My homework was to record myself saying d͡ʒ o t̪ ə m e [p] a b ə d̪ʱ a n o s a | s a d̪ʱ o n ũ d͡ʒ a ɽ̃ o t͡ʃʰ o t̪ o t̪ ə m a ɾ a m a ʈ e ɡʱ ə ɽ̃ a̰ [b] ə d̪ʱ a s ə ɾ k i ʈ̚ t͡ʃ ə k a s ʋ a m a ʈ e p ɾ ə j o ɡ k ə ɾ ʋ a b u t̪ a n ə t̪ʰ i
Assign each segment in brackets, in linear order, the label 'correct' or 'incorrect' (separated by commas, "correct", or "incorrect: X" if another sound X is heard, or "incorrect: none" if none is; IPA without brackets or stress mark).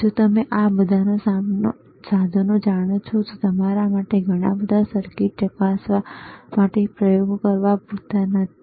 incorrect: ʔ, correct